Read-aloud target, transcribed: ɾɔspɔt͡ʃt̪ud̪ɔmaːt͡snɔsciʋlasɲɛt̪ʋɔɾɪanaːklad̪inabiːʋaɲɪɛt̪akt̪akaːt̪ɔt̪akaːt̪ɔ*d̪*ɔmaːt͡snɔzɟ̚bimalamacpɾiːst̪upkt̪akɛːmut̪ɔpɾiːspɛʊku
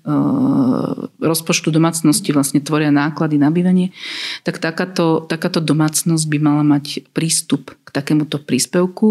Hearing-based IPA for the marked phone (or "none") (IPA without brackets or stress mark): d̪